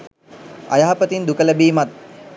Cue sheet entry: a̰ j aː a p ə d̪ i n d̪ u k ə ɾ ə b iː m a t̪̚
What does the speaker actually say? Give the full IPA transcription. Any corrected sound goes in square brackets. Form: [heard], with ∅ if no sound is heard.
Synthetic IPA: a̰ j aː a p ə [t̪] i n d̪ u k ə [l] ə b iː m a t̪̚